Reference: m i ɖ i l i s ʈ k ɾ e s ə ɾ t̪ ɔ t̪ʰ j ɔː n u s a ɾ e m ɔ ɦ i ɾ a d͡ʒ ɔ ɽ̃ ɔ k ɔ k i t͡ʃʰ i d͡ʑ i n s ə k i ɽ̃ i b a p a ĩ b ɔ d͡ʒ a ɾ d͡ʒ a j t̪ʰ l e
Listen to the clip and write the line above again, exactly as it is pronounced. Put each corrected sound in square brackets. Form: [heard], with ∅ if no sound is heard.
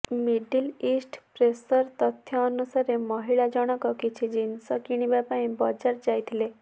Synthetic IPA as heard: m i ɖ i l i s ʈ [p] ɾ e s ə ɾ t̪ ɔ t̪ʰ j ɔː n u s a ɾ e m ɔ ɦ i [ɭ] a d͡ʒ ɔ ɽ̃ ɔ k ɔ k i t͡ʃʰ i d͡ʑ i n s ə k i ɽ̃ i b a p a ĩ b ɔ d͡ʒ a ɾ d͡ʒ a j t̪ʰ l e